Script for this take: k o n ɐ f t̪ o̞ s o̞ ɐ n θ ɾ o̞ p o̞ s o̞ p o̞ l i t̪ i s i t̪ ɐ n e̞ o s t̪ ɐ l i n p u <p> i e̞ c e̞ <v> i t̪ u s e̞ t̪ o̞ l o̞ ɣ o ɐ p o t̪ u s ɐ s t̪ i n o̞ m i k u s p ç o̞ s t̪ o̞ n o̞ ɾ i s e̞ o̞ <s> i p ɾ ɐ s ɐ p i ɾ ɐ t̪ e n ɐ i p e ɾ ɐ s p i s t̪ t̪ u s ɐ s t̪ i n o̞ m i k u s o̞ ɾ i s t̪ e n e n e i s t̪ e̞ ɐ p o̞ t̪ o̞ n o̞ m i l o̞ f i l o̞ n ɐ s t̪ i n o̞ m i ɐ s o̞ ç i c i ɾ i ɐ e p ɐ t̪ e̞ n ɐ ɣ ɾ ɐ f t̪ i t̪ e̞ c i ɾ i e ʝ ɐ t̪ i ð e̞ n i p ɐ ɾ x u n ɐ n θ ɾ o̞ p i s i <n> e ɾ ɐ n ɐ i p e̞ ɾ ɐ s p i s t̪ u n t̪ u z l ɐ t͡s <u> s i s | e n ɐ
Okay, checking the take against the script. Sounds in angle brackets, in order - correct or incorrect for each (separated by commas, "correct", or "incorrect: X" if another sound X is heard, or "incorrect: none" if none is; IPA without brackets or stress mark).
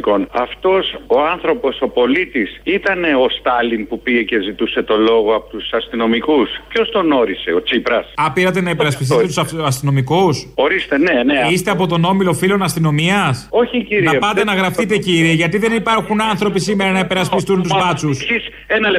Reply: correct, incorrect: z, incorrect: t͡s, incorrect: m, correct